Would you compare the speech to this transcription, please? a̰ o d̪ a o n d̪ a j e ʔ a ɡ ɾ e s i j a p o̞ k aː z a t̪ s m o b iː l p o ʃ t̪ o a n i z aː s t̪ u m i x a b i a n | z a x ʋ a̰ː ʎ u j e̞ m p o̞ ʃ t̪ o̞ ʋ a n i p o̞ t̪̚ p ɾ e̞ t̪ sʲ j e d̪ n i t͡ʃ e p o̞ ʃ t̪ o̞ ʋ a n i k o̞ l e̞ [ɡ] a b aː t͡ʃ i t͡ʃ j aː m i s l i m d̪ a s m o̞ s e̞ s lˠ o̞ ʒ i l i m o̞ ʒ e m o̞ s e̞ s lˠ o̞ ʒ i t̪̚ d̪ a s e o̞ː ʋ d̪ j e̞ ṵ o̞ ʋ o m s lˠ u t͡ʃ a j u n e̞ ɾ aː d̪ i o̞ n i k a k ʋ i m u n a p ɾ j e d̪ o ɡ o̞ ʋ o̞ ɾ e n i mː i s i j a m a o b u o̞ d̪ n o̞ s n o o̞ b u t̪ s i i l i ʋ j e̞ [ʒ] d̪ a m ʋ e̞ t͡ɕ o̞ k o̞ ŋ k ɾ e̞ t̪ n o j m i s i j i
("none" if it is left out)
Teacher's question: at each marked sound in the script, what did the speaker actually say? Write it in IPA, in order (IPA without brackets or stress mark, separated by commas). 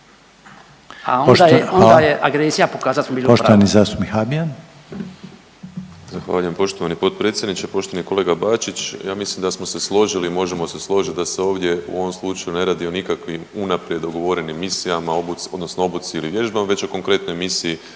ɡ, ʒ